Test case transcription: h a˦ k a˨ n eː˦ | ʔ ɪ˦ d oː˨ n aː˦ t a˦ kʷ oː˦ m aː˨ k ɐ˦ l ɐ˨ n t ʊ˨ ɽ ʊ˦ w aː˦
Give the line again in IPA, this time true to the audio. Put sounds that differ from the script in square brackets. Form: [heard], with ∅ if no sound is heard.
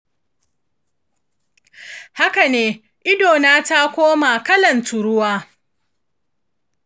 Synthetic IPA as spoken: h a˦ k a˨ n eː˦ | ʔ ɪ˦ d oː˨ n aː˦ t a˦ kʷ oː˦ m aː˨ k ɐ˦ l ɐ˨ n t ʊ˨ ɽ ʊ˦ w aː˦

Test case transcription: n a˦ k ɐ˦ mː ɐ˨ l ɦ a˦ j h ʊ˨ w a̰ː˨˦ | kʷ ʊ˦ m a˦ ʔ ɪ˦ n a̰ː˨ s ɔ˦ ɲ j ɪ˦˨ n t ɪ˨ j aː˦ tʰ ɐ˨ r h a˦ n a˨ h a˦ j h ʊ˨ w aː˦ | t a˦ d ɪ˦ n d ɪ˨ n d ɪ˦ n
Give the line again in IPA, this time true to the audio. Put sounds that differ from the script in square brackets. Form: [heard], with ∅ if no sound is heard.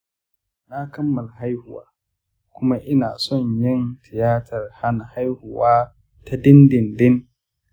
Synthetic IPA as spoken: n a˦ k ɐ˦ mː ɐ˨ l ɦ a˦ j h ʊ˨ w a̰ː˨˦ | kʷ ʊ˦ m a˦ ʔ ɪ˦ n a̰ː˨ s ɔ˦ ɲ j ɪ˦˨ n t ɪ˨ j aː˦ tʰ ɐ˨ r h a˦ n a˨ h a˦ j h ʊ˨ w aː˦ | t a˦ d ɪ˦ n d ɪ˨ n d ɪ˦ n

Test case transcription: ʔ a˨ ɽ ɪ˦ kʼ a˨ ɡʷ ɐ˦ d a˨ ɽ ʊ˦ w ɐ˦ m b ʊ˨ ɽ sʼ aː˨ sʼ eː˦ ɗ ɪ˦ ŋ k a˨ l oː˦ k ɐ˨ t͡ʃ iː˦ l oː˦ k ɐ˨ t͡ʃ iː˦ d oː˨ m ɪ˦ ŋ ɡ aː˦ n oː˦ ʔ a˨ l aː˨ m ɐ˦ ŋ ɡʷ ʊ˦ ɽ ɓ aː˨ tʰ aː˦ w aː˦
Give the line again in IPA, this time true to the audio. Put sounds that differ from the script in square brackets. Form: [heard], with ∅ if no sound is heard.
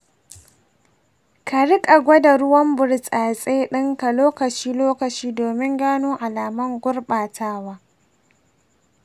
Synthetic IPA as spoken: [k] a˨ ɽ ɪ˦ kʼ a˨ ɡʷ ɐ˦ d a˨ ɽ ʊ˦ w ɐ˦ m b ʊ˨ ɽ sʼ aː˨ sʼ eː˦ ɗ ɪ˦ ŋ k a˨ l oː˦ k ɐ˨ t͡ʃ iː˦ l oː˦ k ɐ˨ t͡ʃ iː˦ d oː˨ m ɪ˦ ŋ ɡ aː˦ n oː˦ ʔ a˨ l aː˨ m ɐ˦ ŋ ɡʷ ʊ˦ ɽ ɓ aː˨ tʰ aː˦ w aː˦

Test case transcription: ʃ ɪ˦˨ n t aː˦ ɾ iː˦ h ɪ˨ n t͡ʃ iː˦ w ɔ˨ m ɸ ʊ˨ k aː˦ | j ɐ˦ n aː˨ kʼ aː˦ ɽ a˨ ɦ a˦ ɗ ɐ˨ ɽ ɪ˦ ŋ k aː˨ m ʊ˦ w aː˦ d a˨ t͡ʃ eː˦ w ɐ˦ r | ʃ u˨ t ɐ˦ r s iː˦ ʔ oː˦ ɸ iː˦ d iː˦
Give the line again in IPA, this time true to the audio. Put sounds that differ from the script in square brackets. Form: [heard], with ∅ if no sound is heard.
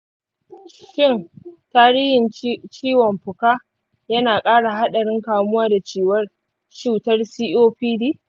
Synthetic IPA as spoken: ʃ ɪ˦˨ n t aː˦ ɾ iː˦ h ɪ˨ n t͡ʃ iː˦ w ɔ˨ m ɸ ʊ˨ k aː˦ | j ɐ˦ n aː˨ kʼ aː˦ ɽ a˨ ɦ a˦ ɗ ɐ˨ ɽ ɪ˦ ŋ k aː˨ m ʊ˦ w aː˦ d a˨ t͡ʃ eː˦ w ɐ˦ r | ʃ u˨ t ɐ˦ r s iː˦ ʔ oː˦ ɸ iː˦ d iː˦

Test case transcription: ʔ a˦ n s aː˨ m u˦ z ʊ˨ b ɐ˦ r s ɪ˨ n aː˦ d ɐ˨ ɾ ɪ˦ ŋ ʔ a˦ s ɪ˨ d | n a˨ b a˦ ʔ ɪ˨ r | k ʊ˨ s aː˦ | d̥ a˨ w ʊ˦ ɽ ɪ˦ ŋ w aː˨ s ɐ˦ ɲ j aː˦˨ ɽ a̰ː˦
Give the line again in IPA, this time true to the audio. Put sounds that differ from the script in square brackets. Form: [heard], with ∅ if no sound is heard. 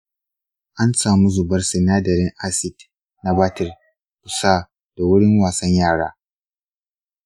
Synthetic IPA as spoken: ʔ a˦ n s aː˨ m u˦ z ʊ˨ b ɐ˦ r s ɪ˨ n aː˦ d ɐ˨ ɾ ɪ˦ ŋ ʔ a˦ s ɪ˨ d | n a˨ b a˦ [t] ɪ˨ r | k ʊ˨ s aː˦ | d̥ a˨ w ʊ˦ ɽ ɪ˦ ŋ w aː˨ s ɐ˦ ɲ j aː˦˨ ɽ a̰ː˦

